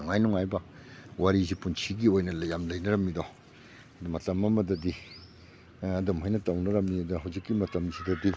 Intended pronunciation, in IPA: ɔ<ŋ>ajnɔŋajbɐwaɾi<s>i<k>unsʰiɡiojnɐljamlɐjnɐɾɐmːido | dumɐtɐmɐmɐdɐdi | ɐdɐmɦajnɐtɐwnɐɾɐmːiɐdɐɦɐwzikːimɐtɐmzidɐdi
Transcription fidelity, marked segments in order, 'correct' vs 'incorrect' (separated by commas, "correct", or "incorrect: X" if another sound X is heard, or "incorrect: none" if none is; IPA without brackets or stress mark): correct, incorrect: z, incorrect: p